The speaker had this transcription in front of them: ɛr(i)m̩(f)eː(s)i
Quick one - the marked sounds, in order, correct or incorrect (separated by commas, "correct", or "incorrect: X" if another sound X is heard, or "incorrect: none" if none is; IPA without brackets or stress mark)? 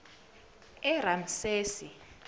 incorrect: a, incorrect: s, correct